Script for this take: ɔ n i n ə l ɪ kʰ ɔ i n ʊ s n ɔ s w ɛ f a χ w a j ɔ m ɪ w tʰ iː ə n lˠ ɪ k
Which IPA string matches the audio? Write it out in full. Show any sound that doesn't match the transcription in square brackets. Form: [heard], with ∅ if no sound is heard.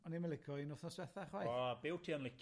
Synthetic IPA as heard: ɔ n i [m] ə l ɪ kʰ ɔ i n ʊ [θ] n ɔ s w ɛ [θ] a χ w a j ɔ [b] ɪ w tʰ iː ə n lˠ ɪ k